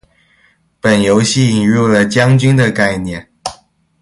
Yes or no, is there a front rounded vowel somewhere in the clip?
yes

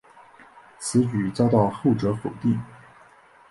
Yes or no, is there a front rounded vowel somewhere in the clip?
yes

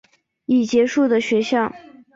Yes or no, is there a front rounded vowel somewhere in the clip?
no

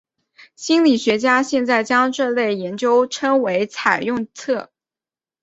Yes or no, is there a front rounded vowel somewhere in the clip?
no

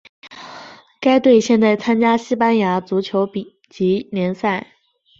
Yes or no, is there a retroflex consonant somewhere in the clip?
no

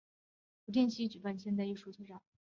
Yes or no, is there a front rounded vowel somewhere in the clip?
yes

